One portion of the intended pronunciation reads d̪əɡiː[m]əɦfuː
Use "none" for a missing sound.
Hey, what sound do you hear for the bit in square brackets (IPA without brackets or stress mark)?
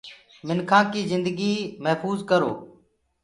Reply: m